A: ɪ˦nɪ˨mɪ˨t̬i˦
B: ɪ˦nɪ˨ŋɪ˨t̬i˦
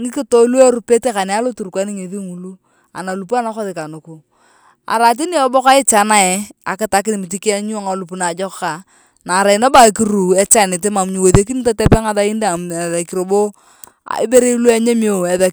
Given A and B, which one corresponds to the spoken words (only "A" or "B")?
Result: A